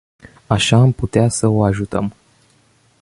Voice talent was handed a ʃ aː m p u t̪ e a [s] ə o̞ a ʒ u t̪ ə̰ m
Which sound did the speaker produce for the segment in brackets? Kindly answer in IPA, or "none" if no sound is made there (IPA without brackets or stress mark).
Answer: s